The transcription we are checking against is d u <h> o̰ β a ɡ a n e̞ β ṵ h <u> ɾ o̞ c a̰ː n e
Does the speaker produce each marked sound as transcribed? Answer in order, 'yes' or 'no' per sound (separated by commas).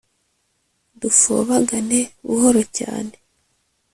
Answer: no, no